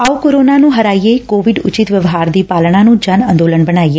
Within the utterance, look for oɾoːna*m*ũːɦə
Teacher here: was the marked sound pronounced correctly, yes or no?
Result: no